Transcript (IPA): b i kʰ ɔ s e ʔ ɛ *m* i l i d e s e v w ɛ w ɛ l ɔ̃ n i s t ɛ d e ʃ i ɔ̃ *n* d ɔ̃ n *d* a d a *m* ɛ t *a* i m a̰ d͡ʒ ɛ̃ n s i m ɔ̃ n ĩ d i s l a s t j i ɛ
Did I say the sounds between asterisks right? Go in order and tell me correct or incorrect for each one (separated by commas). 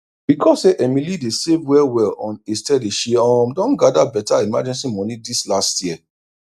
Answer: correct, incorrect, incorrect, incorrect, correct